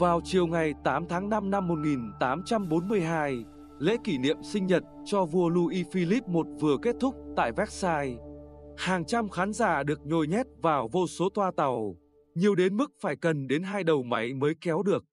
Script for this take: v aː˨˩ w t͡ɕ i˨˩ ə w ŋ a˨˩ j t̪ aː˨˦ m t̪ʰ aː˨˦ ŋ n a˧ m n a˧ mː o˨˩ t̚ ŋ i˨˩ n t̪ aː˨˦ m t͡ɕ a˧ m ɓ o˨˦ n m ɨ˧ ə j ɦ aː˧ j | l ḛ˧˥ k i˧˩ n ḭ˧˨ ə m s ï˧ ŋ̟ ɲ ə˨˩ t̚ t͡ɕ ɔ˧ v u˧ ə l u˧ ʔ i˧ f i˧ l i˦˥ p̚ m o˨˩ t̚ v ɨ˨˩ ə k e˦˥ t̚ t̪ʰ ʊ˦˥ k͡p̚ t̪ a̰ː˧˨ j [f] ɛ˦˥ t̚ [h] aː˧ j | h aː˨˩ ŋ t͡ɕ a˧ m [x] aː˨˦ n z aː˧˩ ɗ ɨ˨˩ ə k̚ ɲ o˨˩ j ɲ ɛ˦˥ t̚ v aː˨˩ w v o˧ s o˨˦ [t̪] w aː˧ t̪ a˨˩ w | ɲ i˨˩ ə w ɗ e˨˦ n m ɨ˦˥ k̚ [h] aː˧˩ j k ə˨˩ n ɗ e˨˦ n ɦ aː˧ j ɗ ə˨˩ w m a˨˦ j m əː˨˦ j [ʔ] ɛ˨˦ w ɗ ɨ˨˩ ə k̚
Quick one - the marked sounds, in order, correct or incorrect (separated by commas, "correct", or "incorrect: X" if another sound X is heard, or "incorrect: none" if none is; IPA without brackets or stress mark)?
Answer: incorrect: v, incorrect: s, correct, correct, incorrect: f, incorrect: k